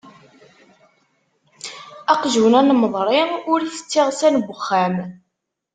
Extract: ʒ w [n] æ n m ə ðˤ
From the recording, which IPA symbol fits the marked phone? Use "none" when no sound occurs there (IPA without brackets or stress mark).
n